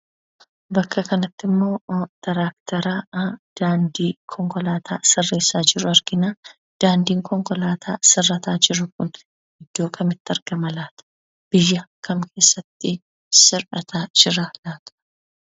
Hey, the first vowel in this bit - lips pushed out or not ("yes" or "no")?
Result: no